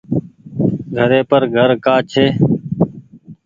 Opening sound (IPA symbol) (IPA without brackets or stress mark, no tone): ɡʱ